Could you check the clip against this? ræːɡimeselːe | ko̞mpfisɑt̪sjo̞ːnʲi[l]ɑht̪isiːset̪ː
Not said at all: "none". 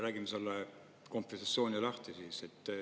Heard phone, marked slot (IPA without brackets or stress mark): l